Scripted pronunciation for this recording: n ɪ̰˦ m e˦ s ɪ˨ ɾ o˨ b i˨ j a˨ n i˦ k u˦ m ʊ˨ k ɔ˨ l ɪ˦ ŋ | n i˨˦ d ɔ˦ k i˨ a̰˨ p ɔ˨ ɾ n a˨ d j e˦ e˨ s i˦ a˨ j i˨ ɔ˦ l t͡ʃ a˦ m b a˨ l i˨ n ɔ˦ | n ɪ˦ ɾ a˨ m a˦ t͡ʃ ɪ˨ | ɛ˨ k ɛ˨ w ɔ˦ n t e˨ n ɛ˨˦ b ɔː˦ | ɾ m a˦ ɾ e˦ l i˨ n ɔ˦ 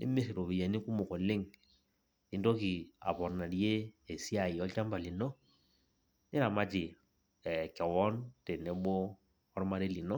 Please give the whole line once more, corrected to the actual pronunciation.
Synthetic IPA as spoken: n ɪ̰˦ m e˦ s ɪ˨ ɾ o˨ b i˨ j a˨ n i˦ k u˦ m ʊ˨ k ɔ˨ l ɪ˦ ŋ | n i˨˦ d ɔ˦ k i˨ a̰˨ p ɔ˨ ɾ n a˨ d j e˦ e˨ s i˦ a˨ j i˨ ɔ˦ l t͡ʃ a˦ m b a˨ l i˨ n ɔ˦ | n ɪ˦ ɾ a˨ m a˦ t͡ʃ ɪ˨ | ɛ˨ k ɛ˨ w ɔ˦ n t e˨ n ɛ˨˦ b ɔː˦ | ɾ m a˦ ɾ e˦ l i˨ n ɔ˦